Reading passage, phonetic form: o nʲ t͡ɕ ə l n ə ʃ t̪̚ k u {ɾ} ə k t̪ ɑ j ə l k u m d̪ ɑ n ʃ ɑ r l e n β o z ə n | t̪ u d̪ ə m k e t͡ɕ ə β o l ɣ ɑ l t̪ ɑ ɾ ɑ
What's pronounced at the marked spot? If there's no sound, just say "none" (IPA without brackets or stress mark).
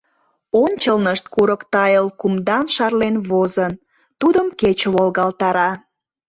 ɾ